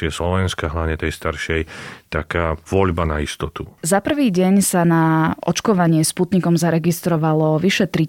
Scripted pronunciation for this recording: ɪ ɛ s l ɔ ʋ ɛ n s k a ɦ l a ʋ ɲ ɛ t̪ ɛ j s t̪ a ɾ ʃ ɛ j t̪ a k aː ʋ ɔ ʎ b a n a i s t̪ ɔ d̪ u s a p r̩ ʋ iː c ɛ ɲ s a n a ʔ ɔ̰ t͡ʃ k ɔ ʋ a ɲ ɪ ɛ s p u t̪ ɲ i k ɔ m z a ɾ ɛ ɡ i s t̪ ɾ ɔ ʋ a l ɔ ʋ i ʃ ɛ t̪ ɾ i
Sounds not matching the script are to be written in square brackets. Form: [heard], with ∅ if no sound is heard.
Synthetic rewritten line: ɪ ɛ s l ɔ ʋ ɛ n s k a ɦ l a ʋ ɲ ɛ t̪ ɛ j s t̪ a ɾ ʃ ɛ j t̪ a k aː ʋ ɔ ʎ b a n a i s t̪ ɔ [t̪] u [z] a p r̩ ʋ iː [ɟ] ɛ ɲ s a n a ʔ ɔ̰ t͡ʃ k ɔ ʋ a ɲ ɪ ɛ s p u t̪ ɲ i k ɔ m z a ɾ ɛ ɡ i s t̪ ɾ ɔ ʋ a l ɔ ʋ i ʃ ɛ t̪ ɾ i